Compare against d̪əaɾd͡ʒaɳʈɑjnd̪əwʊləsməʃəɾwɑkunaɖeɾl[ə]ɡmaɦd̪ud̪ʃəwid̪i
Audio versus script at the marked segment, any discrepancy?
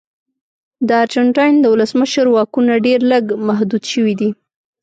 no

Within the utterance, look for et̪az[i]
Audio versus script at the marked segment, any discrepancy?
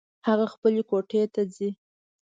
no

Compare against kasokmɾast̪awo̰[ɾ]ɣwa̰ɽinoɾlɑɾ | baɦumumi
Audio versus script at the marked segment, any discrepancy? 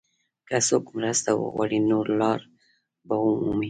yes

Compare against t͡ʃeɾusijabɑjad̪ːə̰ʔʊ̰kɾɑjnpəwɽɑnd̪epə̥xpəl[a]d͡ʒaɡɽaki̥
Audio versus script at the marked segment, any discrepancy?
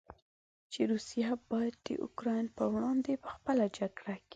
no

